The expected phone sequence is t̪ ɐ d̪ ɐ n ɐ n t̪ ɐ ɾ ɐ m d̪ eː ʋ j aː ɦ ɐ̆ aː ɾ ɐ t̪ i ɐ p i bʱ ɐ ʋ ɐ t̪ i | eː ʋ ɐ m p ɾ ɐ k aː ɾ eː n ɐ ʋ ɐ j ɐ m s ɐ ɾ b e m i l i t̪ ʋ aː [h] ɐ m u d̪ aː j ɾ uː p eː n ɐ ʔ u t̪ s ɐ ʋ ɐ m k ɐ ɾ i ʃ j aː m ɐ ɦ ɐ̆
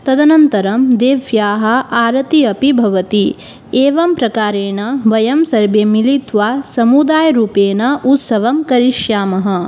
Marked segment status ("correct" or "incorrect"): incorrect